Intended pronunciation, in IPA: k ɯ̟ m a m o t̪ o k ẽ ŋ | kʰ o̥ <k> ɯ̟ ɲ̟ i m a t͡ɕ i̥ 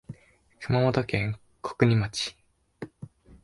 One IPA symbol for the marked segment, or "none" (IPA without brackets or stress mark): k